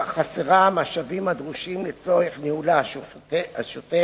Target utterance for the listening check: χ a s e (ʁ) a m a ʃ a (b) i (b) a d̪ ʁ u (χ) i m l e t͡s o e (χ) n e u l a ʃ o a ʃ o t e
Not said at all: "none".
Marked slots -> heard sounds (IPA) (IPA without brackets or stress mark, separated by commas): ʁ, v, m, ʃ, χ